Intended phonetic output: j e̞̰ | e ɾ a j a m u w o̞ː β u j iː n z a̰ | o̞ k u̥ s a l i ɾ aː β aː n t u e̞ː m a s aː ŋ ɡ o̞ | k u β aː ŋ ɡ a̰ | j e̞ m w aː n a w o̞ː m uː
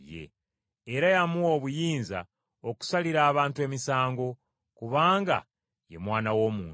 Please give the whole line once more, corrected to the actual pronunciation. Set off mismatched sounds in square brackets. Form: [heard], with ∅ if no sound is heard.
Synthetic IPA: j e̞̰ | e ɾ a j a m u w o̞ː β u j iː n z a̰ | o̞ k u̥ s a l i ɾ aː β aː n t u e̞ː m [i] s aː ŋ ɡ o̞ | k u β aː ŋ ɡ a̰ | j e̞ m w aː n a w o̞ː m uː